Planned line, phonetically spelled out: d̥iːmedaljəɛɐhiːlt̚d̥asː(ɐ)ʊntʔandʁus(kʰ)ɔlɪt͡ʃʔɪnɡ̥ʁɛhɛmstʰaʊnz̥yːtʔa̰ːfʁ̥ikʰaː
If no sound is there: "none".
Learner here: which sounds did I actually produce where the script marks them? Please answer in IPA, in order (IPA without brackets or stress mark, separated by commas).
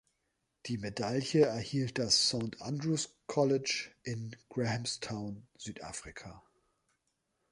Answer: a, kʰ